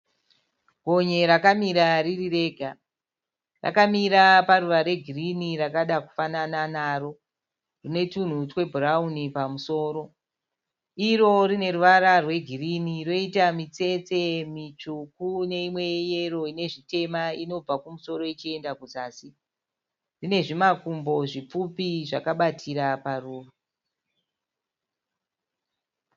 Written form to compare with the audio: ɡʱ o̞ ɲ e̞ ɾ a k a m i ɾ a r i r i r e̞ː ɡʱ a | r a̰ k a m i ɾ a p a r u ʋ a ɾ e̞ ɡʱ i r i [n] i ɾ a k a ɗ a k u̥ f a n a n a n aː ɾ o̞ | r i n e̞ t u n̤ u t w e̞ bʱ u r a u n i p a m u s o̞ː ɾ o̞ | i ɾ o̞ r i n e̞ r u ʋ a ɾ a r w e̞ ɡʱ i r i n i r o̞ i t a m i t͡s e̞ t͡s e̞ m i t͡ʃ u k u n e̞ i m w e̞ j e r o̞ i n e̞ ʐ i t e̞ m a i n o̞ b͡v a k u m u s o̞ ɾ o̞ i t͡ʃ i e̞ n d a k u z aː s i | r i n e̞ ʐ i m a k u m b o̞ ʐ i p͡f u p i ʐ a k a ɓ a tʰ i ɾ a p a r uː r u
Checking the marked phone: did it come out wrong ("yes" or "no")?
no